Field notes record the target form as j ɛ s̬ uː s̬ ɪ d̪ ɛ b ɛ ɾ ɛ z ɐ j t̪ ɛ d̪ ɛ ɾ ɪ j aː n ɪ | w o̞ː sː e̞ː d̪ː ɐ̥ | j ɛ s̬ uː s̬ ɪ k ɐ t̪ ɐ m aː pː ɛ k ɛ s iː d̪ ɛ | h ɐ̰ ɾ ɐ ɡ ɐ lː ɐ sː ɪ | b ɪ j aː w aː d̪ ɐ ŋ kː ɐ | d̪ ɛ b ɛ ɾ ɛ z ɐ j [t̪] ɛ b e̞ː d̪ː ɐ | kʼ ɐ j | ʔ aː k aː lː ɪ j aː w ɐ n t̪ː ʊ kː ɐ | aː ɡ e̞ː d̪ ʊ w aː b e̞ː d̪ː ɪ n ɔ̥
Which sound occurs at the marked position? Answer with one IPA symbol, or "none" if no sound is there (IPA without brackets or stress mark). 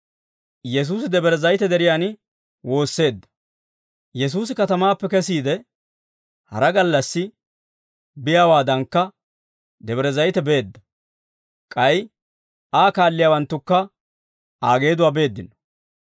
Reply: t̪